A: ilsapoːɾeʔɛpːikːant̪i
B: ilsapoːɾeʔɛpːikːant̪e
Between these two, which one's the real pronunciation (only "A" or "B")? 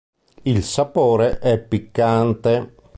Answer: B